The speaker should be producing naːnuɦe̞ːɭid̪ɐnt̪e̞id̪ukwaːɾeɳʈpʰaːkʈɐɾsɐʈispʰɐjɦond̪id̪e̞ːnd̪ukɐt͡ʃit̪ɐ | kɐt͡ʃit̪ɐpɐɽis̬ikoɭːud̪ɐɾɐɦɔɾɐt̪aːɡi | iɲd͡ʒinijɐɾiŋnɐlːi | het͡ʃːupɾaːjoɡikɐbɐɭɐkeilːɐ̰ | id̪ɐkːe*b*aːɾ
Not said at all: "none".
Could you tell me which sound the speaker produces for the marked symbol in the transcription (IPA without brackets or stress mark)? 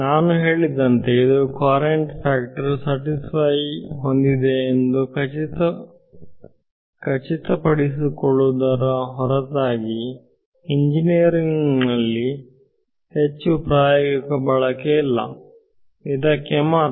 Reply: m